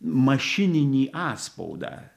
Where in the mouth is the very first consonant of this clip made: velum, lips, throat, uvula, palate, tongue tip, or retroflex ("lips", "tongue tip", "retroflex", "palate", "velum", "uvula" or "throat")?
lips